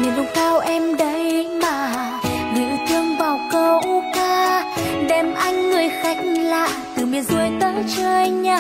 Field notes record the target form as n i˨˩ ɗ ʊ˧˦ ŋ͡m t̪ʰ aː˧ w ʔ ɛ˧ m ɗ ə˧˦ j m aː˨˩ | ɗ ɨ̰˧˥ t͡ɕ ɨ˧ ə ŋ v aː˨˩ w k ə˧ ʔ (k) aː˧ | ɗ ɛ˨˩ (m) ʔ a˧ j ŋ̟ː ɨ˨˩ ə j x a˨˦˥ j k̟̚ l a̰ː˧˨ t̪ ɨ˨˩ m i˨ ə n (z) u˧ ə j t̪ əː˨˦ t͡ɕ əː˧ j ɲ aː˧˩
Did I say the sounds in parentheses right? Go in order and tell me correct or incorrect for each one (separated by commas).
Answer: correct, correct, correct